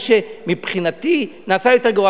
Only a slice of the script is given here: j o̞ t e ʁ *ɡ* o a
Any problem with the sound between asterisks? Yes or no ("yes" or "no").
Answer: no